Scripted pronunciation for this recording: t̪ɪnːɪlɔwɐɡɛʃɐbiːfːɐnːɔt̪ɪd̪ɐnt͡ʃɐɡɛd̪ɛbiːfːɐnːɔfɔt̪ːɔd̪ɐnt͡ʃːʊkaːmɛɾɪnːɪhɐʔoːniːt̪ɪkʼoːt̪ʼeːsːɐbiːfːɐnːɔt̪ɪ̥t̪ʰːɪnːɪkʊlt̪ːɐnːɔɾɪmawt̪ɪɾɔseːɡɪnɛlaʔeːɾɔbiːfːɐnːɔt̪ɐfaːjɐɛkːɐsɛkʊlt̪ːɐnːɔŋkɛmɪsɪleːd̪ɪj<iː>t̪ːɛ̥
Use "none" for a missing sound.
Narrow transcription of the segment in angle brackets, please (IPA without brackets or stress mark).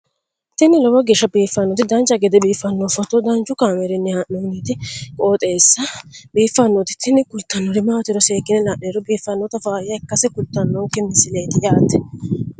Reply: aː